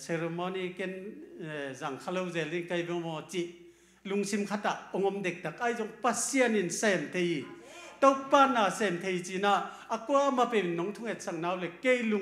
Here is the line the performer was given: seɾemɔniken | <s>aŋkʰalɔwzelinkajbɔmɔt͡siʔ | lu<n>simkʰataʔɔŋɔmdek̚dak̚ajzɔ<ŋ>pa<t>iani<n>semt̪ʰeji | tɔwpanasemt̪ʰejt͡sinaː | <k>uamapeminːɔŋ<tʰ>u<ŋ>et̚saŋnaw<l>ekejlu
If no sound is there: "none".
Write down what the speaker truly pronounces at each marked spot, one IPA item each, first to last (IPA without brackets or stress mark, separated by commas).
z, ŋ, ŋ, s, n, k, tʰ, ŋ, l